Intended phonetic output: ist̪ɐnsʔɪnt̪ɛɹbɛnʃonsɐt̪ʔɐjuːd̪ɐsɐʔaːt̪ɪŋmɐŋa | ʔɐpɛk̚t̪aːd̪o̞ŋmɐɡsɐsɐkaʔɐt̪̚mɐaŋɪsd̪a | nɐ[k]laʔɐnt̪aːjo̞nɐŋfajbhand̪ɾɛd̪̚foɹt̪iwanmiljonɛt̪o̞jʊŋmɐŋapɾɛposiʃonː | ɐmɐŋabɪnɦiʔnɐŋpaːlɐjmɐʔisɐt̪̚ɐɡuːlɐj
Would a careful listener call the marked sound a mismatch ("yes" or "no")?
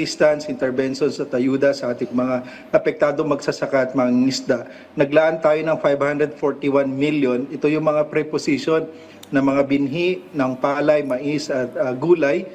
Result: yes